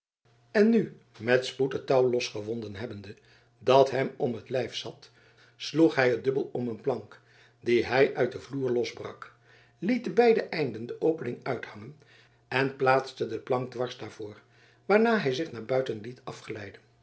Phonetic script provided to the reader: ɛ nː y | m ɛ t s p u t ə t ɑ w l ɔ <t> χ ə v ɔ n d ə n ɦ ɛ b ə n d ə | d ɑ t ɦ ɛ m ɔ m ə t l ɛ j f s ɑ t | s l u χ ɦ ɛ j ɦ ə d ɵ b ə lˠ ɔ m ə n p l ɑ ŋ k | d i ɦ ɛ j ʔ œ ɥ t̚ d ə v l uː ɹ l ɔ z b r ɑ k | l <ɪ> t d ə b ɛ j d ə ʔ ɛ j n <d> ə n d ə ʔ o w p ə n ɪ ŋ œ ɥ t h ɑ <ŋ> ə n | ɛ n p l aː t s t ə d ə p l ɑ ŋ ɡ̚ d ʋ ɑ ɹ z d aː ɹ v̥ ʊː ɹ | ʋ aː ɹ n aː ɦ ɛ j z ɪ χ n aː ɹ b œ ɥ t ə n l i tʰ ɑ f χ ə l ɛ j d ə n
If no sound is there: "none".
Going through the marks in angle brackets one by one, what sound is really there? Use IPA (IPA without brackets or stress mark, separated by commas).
s, i, d, ŋ